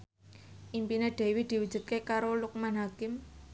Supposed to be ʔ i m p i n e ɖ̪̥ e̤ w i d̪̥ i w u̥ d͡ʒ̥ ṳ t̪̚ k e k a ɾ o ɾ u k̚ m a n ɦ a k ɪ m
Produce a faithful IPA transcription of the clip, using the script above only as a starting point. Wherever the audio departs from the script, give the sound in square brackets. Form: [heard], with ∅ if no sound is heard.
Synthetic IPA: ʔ i m p i n e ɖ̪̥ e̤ w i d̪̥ i w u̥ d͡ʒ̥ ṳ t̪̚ k e k a ɾ o [l] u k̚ m a n ɦ a k ɪ m